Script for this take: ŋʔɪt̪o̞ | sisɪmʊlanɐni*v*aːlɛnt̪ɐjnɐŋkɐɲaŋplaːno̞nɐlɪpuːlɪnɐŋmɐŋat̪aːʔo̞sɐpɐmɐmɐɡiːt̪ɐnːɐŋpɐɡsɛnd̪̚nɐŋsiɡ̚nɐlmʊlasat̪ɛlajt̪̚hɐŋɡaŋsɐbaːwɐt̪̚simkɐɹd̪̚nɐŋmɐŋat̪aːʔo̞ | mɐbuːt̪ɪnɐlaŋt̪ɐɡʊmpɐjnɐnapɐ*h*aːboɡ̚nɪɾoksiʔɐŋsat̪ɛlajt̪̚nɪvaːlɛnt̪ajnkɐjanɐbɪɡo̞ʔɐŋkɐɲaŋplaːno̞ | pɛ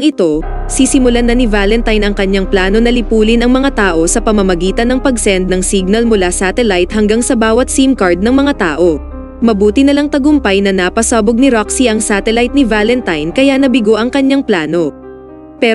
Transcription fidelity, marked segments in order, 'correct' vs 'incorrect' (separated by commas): correct, incorrect